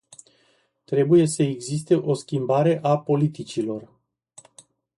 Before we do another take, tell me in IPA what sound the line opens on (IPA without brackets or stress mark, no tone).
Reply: t̪